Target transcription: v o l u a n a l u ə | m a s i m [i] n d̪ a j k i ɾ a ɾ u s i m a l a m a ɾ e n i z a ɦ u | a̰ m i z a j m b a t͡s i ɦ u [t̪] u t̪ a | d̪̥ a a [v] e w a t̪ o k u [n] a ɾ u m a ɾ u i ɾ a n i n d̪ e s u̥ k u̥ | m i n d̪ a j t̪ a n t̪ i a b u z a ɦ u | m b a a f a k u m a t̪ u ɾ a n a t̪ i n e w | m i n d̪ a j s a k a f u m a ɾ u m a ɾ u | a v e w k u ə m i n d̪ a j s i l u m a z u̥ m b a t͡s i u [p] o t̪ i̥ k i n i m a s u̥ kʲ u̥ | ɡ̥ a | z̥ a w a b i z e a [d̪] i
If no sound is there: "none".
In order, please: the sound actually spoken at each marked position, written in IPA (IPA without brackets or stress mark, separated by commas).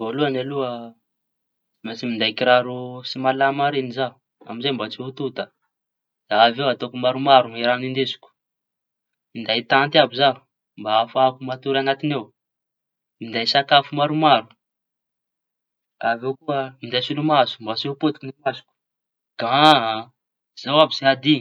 i, t̪, v, m, p, d̪